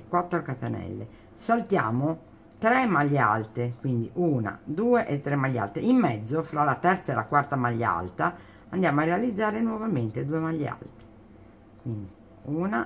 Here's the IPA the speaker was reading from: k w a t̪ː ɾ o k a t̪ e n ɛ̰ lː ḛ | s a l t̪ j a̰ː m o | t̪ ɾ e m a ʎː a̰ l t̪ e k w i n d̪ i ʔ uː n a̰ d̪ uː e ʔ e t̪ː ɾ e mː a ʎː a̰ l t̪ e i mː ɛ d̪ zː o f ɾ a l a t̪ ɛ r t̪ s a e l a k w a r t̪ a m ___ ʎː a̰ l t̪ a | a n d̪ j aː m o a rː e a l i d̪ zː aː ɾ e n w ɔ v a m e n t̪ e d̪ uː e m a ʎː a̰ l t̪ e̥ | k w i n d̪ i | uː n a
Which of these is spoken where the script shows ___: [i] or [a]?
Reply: a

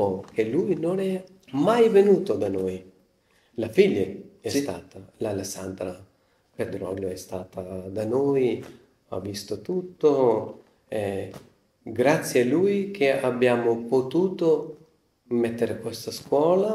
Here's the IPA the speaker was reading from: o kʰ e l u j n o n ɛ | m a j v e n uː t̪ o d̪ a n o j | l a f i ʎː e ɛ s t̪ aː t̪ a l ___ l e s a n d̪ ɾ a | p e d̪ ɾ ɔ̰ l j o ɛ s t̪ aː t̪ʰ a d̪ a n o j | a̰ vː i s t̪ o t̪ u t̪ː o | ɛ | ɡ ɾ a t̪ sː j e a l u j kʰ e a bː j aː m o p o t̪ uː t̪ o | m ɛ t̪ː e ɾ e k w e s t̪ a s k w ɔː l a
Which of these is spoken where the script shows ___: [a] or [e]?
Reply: a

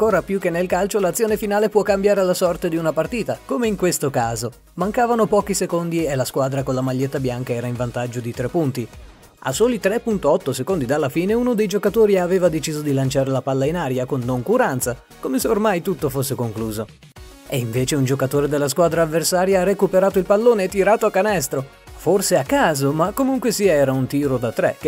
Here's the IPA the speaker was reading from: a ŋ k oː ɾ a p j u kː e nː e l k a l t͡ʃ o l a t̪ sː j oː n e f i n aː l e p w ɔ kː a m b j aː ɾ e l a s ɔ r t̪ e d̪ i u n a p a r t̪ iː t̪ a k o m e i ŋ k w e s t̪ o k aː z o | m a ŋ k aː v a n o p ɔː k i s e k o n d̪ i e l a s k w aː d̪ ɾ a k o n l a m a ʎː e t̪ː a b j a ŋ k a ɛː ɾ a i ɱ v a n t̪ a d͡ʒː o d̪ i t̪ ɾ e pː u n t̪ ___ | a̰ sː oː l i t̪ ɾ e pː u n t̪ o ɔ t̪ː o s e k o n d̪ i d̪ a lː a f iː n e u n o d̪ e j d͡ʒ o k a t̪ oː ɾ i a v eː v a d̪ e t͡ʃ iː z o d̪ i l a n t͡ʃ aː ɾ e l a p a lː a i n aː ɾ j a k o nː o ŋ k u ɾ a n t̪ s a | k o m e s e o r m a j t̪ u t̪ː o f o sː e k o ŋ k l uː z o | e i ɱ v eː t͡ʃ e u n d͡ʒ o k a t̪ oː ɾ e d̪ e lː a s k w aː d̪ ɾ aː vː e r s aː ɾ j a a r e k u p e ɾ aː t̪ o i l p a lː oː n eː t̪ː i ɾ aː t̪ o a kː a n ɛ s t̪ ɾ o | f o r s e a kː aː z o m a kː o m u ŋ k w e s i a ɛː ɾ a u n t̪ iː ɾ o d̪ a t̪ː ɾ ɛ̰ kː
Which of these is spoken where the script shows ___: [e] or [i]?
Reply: i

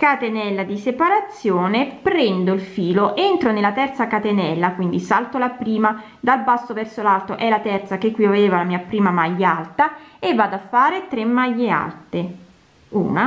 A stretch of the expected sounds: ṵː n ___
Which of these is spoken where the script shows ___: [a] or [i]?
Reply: a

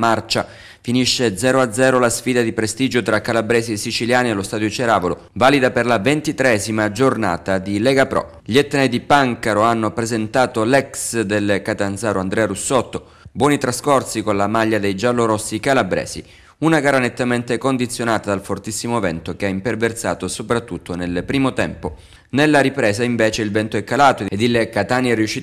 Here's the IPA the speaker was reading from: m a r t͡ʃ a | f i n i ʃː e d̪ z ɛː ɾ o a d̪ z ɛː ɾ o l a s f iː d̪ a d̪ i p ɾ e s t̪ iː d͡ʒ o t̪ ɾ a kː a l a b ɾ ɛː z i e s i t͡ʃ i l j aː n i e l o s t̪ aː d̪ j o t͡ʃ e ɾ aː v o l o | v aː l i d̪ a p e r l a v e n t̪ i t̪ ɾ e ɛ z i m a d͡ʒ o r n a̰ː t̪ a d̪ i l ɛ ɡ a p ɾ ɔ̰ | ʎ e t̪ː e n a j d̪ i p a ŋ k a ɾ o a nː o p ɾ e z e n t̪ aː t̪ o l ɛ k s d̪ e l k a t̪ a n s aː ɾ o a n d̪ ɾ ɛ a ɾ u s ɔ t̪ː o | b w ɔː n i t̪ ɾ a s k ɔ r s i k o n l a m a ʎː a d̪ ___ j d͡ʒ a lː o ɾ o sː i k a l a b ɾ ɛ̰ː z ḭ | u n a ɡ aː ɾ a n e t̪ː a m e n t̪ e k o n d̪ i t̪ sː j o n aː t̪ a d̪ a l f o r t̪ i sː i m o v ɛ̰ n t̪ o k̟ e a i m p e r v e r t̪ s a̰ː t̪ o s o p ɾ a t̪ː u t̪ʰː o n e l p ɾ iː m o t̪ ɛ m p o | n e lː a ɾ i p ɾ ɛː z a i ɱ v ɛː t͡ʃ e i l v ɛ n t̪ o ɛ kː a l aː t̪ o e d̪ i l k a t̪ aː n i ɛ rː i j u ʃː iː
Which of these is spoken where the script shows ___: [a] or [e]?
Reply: e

